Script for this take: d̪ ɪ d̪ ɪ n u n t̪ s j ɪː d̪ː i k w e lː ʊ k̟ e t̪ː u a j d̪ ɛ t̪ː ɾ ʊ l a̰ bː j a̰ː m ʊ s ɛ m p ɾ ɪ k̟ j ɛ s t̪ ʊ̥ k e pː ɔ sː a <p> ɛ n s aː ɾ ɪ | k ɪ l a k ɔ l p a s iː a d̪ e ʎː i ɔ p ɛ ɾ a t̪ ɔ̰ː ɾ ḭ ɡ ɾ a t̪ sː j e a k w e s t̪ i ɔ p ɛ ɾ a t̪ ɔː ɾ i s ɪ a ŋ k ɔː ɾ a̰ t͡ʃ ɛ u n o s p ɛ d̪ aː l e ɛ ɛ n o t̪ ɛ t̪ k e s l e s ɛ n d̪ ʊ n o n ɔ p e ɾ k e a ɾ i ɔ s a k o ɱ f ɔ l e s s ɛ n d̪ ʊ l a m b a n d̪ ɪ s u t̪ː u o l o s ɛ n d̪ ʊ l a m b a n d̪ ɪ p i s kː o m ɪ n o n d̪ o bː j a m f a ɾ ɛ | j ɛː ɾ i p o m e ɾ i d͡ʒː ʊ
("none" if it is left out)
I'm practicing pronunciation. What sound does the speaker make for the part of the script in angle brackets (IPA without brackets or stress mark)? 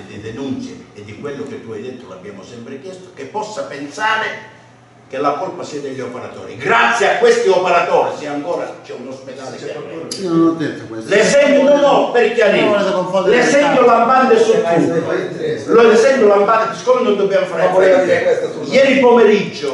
p